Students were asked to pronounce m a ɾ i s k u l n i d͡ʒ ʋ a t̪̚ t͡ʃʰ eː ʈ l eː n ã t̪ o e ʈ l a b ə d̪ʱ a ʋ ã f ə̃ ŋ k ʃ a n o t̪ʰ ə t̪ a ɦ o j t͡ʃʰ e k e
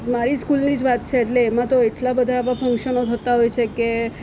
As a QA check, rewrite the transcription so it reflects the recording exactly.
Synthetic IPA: m a ɾ i s k u l n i d͡ʒ ʋ a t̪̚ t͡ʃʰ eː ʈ l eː m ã t̪ o e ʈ l a b ə d̪ʱ a ʋ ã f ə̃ ŋ k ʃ ə n o t̪ʰ ə t̪ a ɦ o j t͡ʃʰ e k e